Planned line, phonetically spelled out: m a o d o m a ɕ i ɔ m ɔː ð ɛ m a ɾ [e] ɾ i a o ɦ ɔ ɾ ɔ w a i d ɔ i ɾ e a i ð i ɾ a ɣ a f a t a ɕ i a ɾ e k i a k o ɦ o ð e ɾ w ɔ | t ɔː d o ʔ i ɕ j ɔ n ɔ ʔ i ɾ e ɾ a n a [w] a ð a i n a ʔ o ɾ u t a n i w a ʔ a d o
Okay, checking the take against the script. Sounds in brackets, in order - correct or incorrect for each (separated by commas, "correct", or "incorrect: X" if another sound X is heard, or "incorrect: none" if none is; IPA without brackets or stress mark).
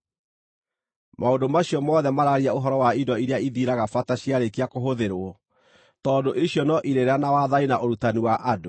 incorrect: a, correct